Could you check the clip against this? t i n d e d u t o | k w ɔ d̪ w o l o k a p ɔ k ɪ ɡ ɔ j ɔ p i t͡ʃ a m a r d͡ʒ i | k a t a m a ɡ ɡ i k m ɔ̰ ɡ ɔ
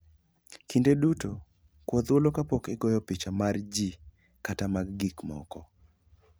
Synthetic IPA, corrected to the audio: k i n d e d u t o | k w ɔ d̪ w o l o k a p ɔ k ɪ ɡ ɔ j ɔ p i t͡ʃ a m a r d͡ʒ i | k a t a m a ɡ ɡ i k m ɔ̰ k ɔ

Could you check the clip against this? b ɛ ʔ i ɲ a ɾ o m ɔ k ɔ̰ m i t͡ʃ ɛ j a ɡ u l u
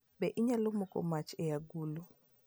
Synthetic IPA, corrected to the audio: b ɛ ʔ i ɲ a l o m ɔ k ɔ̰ m a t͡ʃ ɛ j a ɡ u l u

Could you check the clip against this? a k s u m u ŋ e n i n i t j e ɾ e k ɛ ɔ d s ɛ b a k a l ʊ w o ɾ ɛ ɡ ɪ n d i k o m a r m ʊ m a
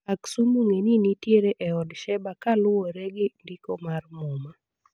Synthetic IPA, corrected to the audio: a k s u m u ŋ e n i n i t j e ɾ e ʔ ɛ ɔ d ʃ ɛ b a k a l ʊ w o ɾ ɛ ɡ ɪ n d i k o m a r m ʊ m a

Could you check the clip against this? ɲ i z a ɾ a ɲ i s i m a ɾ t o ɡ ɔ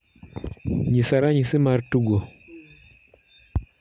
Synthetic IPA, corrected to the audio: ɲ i s a ɾ a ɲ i s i m a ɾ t u ɡ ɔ

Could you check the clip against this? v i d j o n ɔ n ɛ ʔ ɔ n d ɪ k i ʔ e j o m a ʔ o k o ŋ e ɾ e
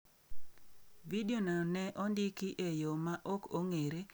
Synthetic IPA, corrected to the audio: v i d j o n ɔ n ɛ ʔ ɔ n d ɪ k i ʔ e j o m a ʔ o k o ŋ e ɾ e

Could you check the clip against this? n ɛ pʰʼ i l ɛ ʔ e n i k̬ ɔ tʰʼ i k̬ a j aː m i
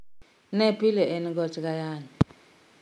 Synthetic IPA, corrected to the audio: n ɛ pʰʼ i l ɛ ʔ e n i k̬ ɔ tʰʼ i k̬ a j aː n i

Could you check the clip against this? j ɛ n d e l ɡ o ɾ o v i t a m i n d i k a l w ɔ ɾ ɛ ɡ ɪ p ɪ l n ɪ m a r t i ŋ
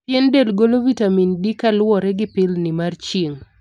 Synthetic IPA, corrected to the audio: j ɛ n d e l ɡ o l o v i t a m i n d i k a l w ɔ ɾ ɛ ɡ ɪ p ɪ l n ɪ m a r t͡ʃ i ŋ

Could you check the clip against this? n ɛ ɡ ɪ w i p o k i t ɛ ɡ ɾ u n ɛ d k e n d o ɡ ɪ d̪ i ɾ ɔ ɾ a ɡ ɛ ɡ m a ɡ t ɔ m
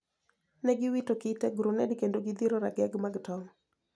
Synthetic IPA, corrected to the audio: n ɛ ɡ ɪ w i t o k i t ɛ ɡ ɾ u n ɛ d k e n d o ɡ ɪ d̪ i ɾ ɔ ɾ a ɡ ɛ ɡ m a ɡ t ɔ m

